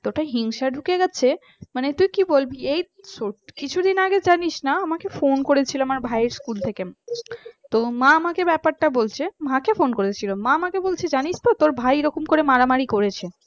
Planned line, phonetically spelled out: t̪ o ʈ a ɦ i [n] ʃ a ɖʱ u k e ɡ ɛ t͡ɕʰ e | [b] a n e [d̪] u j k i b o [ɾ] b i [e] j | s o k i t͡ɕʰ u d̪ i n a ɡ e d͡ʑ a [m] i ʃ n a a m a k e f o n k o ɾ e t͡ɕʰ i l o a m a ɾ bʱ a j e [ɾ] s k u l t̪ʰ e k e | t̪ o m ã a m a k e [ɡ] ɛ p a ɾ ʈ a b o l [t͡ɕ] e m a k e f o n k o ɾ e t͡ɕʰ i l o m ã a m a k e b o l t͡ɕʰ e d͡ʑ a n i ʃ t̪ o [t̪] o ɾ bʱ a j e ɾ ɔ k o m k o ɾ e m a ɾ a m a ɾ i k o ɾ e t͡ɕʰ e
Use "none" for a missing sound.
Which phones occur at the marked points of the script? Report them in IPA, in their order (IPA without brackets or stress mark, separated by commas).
ŋ, m, t̪, l, e, n, ɾ, b, t͡ɕʰ, t̪